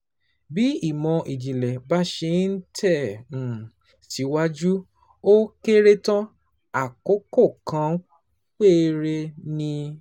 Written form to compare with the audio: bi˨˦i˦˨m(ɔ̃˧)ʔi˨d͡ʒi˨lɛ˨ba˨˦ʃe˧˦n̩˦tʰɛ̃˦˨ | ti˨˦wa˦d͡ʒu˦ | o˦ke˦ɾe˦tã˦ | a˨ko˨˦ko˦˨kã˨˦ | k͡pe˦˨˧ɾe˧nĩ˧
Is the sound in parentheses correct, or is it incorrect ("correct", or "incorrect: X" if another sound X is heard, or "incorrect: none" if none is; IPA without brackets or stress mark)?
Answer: correct